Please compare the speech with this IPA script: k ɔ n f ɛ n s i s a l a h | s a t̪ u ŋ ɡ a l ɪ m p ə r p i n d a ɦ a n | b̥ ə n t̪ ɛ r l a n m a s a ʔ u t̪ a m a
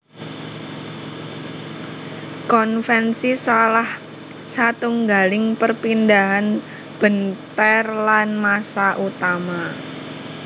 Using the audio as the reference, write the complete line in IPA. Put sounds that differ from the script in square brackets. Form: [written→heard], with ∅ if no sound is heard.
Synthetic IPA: k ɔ n f ɛ n s i s a l a h | s a t̪ u ŋ ɡ a l ɪ [m→ŋ] p ə r p i n d a ɦ a n | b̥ ə n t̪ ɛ r l a n m a s a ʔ u t̪ a m a